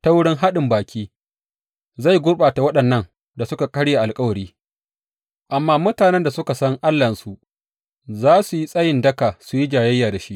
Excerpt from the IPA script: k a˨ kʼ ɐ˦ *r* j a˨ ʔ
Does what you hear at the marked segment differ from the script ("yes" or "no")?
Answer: yes